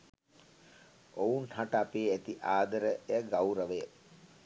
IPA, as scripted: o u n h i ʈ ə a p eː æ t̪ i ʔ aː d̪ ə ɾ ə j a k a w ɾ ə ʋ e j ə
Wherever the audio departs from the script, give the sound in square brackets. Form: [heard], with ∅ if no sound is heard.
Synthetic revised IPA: o u n h [a] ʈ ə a p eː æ t̪ i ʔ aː d̪ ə ɾ ə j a [ɡ] a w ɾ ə ʋ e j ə